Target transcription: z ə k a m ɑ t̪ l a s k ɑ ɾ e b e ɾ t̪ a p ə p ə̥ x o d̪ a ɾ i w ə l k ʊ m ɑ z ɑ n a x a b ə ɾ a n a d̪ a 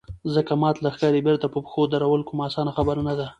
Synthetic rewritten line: z ə k a m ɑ t̪ l a x k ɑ ɾ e b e ɾ t̪ a p ə p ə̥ x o d̪ a ɾ a w ə l k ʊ m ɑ s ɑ n a x a b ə ɾ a n a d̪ a

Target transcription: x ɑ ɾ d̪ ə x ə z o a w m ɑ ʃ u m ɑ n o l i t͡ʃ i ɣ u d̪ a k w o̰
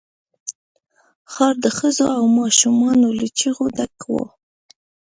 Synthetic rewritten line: x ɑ ɾ d̪ ə x ə z o a w m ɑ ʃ u m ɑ n o l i t͡ʃ i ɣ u d̪ a k w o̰

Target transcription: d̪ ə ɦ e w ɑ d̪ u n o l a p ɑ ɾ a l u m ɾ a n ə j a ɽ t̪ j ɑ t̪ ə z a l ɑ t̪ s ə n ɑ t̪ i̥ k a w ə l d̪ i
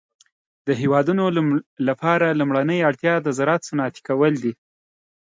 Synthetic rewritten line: d̪ ə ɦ e w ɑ d̪ u n o l a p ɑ ɾ a l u m ɽ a n ə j a ɽ t̪ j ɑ d̪ ə z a ɾ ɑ t̪ s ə n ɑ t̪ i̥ k a w ə l d̪ i

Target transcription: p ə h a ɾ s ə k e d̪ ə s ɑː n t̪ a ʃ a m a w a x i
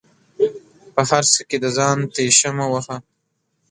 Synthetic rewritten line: p ə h a ɾ s ə k e d̪ ə z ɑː n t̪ e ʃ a m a w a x a

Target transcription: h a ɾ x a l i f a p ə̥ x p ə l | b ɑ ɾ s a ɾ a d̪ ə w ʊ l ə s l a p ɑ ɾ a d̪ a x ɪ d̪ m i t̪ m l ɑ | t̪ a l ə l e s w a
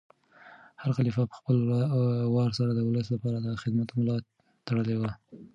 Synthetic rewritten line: h a ɾ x a l i f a p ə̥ x p ə l | w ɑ ɾ s a ɾ a d̪ ə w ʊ l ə s l a p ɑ ɾ a d̪ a x ɪ d̪ m a t̪ m l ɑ | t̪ a ɽ ə l e w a

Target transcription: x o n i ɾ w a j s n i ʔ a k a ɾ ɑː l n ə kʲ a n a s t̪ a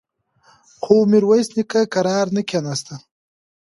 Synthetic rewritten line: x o m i ɾ w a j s n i k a k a ɾ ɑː ɾ n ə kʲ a n a s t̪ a

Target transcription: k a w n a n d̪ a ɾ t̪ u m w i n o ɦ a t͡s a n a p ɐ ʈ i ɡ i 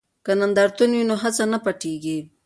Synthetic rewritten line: k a n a n d̪ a ɾ t̪ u n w i n o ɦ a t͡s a n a p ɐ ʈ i ɡ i

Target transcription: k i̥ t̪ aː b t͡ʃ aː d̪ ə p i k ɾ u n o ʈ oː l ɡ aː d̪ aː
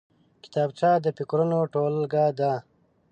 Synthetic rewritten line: k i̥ t̪ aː b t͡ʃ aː d̪ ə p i k ɾ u n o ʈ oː l ɡ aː d̪ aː

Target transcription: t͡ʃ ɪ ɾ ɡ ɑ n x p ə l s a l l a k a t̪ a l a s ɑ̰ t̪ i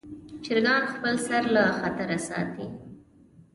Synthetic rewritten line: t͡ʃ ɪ ɾ ɡ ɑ n x p ə l s a ɾ l a x a t̪ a ɾ a s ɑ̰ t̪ i

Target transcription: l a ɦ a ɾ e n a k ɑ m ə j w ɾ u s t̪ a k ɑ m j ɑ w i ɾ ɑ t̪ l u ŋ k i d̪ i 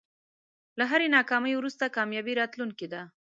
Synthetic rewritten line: l a ɦ a ɾ e n ɑ k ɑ m ə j w ɾ u s t̪ a k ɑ m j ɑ b i ɾ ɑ t̪ l u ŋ k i d̪ a

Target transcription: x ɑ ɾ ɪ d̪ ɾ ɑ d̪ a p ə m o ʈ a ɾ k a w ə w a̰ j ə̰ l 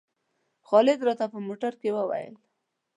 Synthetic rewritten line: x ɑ l ɪ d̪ ɾ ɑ t̪ a p ə m o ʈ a ɾ k e w ə w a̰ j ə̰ l

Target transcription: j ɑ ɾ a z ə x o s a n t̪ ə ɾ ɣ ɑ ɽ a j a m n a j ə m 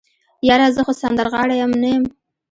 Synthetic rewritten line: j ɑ ɾ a z ə x o s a n d̪ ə ɾ ɣ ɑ ɽ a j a m n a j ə m

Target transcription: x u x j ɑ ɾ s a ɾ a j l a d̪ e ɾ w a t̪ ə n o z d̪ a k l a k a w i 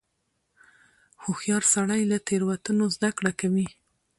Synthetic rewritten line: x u x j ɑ ɾ s a ɽ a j l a t̪ e ɾ w a t̪ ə n o z d̪ a k ɽ a k a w i

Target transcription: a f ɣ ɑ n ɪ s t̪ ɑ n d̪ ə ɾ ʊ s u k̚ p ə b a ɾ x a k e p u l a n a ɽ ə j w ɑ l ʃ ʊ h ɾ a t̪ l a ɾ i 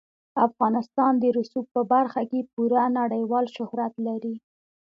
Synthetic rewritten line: a f ɣ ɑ n ɪ s t̪ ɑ n d̪ ə ɾ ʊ s u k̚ p ə b a ɾ x a k e p u ɾ a n a ɽ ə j w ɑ l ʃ ʊ h ɾ a t̪ l a ɾ i

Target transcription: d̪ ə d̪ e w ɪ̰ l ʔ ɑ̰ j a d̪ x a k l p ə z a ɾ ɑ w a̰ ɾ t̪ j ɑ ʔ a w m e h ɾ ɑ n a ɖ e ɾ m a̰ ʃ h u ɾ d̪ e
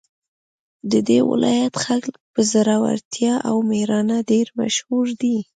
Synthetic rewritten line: d̪ ə d̪ e w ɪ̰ l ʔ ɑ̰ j a t̪ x a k l p ə z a ɾ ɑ w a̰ ɾ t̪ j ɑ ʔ a w m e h ɾ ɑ n a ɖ e ɾ m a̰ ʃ h u ɾ d̪ i

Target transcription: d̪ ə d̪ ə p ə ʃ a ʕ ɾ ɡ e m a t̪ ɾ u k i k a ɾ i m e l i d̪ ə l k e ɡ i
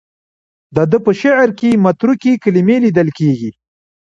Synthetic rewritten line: d̪ ə d̪ ə p ə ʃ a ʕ ɾ k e m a t̪ ɾ u k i k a l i m e l i d̪ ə l k e ɡ i

